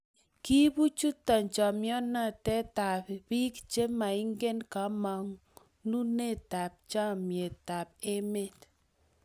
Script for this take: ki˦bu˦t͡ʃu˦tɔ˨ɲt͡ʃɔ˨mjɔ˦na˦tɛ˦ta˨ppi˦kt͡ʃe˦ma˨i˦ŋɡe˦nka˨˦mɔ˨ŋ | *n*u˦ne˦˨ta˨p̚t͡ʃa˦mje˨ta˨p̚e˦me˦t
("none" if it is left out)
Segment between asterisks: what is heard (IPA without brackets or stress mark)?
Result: n